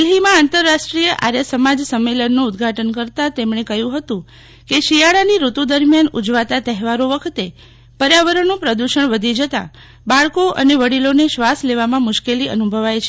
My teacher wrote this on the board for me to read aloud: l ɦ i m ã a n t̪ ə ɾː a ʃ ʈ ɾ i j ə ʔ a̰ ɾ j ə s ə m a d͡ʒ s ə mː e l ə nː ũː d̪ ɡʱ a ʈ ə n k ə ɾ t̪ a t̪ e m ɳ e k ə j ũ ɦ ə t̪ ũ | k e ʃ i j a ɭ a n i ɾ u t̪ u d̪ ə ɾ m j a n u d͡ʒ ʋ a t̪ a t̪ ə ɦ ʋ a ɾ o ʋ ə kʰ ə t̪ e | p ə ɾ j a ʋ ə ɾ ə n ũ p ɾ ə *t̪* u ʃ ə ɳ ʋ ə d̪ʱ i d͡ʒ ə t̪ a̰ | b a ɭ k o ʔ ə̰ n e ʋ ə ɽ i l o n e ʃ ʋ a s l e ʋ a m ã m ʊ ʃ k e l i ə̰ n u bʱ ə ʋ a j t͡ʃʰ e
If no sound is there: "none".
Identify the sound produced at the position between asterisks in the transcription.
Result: d̪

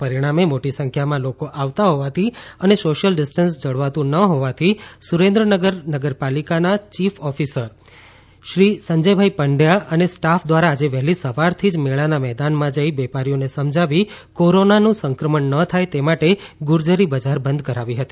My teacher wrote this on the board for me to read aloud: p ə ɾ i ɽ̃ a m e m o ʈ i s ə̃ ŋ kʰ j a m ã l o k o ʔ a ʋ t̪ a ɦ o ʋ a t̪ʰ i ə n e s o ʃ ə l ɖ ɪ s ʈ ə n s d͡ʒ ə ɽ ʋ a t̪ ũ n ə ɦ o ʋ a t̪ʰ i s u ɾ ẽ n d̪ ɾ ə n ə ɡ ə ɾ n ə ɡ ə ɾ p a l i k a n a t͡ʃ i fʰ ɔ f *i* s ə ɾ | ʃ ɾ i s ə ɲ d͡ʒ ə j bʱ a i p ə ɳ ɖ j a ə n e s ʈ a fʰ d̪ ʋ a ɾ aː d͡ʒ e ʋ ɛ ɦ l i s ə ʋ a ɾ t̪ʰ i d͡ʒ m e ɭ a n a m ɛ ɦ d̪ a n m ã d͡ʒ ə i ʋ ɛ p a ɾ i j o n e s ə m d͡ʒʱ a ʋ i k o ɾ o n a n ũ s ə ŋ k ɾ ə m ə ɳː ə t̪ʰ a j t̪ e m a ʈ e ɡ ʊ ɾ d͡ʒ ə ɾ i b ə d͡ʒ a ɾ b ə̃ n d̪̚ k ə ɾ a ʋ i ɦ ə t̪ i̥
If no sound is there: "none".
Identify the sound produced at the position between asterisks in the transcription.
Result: i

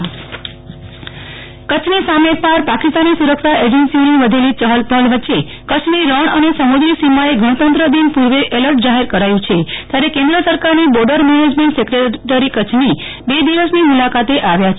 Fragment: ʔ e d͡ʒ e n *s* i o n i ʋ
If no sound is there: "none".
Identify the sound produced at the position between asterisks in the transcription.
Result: s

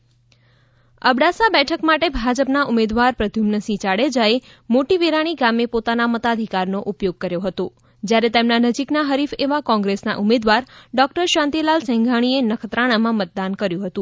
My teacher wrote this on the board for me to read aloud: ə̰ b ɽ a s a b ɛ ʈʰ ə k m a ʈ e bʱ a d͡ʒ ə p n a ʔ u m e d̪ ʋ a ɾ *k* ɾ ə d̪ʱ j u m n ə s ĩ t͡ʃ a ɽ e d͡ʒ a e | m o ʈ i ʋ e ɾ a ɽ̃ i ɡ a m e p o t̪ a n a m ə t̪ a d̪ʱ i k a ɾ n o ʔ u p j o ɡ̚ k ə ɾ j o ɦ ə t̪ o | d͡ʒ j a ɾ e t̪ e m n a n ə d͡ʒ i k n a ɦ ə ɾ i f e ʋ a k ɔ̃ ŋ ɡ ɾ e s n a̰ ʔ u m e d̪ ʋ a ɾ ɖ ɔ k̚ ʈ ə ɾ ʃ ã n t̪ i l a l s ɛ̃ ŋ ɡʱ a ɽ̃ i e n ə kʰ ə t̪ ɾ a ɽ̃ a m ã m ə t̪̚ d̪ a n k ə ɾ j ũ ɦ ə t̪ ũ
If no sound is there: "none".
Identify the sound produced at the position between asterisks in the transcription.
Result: p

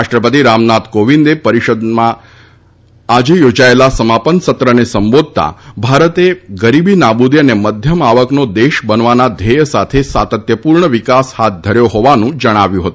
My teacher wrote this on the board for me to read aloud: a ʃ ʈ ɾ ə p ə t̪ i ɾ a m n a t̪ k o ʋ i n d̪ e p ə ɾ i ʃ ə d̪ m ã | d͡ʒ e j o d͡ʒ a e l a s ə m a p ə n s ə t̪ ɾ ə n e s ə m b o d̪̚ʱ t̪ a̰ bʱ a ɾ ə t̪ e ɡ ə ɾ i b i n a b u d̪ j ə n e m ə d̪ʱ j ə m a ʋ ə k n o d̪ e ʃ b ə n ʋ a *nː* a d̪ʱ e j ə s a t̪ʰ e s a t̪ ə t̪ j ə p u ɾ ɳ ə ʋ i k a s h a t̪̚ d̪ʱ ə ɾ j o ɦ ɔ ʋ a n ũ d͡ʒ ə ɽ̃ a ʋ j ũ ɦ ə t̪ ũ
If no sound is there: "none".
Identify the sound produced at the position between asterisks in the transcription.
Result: n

